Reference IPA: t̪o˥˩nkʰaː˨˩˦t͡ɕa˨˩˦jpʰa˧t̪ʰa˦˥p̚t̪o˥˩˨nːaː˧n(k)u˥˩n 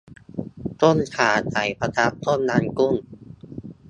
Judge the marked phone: correct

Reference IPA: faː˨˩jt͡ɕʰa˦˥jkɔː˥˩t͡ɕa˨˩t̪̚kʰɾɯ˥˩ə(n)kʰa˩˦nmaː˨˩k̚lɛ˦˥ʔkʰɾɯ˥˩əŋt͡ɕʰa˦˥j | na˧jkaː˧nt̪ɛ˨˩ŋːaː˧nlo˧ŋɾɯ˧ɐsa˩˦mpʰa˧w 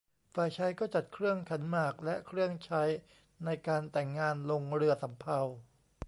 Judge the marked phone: incorrect: ŋ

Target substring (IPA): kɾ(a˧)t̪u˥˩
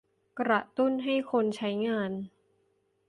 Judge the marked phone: incorrect: a˨˩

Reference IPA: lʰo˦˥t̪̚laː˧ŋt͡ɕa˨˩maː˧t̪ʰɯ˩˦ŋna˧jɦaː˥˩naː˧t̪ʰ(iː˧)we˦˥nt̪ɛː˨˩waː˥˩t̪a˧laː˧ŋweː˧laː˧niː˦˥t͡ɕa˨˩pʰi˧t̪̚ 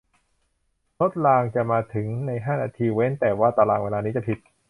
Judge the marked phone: correct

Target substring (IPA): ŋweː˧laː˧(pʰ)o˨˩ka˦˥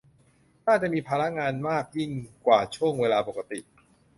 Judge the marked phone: incorrect: p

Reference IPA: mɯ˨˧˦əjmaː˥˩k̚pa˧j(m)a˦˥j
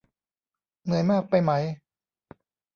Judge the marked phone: correct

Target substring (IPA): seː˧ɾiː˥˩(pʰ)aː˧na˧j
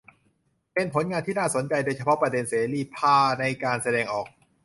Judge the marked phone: correct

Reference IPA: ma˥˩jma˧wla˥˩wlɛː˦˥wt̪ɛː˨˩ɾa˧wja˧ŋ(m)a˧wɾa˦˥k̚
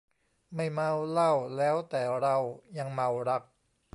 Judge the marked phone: correct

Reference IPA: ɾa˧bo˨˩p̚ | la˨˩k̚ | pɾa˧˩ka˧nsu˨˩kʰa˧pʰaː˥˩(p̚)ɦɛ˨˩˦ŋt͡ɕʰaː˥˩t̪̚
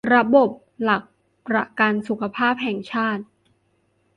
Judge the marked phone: correct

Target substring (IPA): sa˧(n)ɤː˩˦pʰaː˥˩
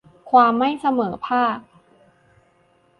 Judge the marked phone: incorrect: m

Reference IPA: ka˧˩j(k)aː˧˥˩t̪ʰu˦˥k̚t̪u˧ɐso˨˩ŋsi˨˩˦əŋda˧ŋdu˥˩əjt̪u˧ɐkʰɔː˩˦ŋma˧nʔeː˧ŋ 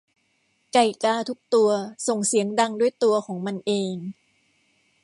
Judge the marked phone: correct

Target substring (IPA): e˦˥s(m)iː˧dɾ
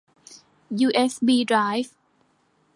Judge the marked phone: incorrect: b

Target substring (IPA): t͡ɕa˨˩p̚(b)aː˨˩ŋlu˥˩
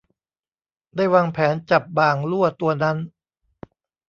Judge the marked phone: correct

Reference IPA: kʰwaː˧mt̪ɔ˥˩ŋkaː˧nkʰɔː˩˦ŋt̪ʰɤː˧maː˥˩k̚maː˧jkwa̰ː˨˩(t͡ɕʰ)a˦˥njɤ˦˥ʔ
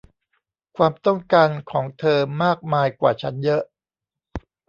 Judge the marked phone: correct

